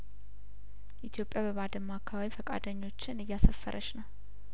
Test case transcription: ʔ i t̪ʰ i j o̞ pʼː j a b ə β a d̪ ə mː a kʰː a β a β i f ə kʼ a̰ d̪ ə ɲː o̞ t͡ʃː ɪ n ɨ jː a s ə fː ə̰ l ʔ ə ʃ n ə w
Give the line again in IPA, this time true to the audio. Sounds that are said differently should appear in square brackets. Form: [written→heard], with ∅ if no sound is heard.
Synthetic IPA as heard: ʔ i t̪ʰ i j o̞ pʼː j a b ə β a d̪ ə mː a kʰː a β a β i f ə kʼ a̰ d̪ ə ɲː o̞ t͡ʃː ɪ n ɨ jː a s ə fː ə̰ [l→ɾ] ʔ ə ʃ n ə w